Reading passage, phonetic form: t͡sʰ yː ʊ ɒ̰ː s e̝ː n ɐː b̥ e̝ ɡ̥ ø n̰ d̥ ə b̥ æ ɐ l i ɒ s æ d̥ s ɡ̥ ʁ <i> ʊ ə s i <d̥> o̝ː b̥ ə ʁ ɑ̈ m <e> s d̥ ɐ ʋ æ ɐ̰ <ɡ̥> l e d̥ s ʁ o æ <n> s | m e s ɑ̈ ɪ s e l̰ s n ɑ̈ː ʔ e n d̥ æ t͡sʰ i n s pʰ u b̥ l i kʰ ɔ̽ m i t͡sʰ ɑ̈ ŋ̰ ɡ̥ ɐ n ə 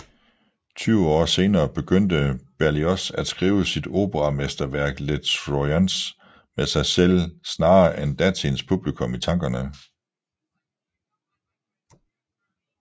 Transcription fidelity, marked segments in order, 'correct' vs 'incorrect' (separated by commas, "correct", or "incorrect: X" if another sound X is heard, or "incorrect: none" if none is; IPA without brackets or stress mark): incorrect: iː, correct, correct, correct, correct